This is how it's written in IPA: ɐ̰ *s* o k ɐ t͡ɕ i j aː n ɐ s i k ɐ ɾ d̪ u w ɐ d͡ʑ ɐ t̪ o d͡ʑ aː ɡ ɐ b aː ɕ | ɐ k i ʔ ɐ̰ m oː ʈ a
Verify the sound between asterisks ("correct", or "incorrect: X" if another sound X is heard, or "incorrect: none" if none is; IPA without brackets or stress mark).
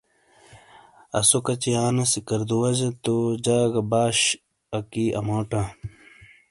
correct